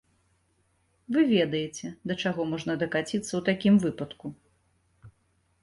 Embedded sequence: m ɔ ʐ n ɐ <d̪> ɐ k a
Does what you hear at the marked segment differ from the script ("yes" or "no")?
no